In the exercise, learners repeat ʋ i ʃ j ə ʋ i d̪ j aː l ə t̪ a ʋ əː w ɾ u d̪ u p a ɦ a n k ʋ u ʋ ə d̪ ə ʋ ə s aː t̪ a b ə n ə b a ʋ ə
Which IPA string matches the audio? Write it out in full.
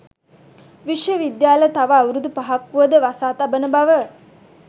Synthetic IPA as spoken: ʋ i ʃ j ə ʋ i d̪ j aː l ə t̪ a ʋ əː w ɾ u d̪ u p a ɦ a k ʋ u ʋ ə d̪ ə ʋ a s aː t̪ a b ə n ə b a ʋ ə